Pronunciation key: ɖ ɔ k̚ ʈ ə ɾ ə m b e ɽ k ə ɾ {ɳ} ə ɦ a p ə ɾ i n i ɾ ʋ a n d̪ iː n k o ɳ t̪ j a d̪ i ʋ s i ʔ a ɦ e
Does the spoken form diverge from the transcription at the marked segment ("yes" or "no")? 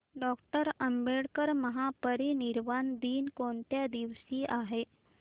yes